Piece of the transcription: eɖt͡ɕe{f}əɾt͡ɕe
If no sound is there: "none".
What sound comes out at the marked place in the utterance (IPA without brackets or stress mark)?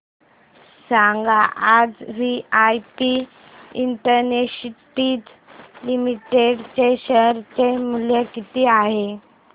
ɕ